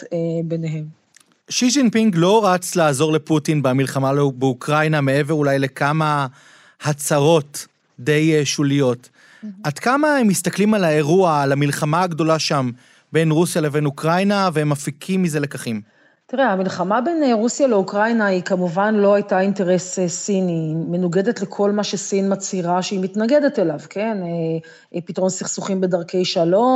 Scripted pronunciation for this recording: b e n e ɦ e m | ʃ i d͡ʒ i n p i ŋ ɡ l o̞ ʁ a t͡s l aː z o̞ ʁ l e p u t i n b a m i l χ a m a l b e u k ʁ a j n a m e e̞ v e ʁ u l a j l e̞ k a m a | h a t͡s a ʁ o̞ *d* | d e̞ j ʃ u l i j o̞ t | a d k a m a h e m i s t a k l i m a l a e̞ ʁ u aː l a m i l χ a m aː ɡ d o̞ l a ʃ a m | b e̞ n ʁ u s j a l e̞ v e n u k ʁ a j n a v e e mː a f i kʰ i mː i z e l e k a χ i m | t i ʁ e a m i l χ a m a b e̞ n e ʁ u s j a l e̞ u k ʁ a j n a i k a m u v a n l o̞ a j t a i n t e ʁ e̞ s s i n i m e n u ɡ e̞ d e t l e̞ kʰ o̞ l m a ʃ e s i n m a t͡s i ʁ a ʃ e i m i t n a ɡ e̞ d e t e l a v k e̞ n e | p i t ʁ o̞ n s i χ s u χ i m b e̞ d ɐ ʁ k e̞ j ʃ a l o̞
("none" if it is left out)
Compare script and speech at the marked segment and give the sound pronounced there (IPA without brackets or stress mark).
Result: t